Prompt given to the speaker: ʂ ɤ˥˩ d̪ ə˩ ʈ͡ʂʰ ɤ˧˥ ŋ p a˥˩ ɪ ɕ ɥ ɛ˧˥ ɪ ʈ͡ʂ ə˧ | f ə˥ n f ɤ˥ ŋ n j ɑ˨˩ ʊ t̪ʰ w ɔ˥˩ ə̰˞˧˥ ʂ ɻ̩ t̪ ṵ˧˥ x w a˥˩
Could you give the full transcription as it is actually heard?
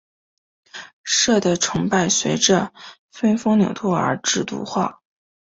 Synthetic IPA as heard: ʂ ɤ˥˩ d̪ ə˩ ʈ͡ʂʰ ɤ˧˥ ŋ p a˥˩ ɪ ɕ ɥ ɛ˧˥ ɪ ʈ͡ʂ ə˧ | f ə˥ n f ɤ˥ ŋ n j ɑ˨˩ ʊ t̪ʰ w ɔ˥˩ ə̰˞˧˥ ʈ͡ʂ ɻ̩ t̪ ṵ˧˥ x w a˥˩